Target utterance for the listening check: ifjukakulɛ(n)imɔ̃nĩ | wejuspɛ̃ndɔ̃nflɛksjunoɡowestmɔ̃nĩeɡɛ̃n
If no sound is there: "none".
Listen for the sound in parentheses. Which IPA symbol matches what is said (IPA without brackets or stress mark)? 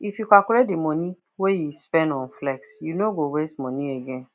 d